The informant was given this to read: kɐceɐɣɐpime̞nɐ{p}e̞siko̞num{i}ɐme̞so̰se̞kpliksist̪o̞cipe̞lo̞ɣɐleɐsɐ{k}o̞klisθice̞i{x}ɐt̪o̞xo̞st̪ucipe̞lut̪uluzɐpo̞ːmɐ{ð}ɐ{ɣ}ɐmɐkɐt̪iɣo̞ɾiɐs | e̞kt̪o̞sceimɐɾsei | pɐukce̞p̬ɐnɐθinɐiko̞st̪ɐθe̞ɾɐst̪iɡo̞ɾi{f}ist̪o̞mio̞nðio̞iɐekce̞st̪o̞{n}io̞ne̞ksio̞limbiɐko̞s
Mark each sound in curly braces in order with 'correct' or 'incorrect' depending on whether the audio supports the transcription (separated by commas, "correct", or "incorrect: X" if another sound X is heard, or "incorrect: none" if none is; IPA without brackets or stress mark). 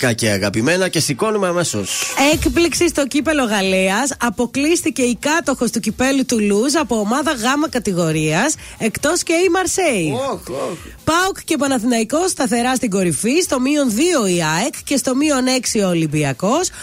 incorrect: c, incorrect: e, incorrect: p, incorrect: k, correct, correct, correct, incorrect: m